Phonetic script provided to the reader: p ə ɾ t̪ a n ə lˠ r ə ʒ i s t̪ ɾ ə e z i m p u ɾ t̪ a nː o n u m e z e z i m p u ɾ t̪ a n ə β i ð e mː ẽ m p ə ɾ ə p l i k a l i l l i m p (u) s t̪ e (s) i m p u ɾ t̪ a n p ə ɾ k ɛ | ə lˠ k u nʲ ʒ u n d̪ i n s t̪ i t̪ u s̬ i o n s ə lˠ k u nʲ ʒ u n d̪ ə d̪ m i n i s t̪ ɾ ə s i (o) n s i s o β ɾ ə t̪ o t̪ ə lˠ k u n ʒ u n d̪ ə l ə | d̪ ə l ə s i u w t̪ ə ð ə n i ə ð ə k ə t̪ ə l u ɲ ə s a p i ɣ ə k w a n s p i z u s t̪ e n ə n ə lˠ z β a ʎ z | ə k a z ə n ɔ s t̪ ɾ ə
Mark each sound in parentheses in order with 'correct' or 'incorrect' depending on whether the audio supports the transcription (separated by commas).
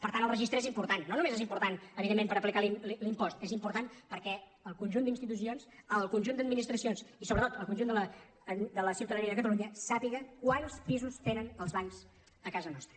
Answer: incorrect, incorrect, correct